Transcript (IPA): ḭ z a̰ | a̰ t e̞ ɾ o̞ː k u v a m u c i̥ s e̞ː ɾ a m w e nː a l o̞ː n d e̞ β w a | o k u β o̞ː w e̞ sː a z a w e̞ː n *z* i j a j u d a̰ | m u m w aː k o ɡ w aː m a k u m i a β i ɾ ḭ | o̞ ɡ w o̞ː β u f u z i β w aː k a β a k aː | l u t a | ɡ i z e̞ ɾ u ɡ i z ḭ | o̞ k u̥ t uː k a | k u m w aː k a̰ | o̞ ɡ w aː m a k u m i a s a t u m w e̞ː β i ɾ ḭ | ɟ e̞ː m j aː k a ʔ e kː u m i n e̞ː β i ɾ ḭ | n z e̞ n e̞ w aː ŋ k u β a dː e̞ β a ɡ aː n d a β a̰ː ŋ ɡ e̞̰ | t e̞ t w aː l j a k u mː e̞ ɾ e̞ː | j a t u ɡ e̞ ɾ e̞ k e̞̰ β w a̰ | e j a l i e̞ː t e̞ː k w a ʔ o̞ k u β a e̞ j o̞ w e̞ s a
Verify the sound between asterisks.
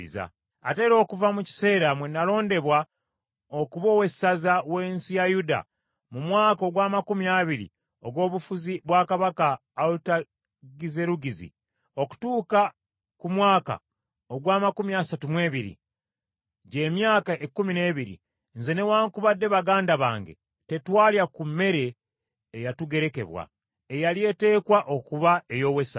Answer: incorrect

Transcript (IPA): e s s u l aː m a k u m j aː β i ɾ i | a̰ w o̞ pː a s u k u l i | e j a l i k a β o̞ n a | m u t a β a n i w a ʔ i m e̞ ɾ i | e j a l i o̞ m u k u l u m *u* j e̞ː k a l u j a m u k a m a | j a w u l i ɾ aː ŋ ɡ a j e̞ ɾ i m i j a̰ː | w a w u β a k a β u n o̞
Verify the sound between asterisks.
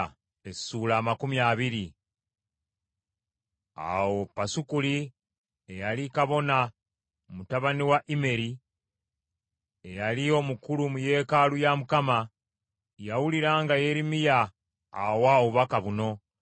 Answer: correct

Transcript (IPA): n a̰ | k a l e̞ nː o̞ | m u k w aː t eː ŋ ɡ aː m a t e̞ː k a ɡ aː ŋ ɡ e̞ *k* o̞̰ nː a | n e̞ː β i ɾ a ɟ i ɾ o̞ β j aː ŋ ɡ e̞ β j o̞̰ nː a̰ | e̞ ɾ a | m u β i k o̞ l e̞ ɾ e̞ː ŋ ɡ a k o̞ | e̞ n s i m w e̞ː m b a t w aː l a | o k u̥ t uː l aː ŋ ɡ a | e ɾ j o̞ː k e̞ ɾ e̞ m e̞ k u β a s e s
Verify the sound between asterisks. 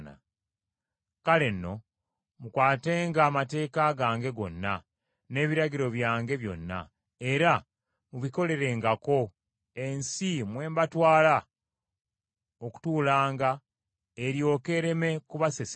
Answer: incorrect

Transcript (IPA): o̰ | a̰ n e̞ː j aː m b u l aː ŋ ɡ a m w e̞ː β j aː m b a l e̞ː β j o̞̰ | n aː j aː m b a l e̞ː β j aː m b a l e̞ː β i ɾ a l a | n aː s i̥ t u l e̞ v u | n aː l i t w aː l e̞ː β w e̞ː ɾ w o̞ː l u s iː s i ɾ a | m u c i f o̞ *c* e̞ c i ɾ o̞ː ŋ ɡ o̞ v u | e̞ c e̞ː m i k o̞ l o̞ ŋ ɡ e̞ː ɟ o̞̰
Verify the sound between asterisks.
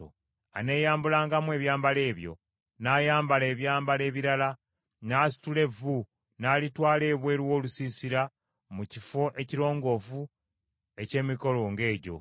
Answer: incorrect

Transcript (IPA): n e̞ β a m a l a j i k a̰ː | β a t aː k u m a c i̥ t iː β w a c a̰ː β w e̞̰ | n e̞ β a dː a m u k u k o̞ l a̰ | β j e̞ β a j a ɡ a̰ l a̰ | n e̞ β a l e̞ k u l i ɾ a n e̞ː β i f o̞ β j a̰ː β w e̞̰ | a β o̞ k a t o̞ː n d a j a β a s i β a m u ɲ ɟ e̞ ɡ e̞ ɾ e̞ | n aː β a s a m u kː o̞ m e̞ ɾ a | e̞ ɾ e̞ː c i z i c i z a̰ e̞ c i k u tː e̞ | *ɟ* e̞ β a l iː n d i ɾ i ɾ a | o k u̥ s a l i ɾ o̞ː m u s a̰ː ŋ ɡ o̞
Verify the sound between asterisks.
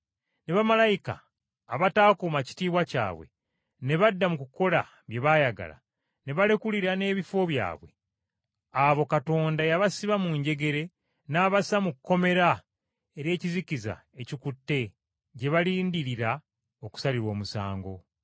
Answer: correct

